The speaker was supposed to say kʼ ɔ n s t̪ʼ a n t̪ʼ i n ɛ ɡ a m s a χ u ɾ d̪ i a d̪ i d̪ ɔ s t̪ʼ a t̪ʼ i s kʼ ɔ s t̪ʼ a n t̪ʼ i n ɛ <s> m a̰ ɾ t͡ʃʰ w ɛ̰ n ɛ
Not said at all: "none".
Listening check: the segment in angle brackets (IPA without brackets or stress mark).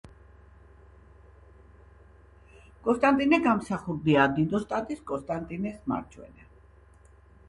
s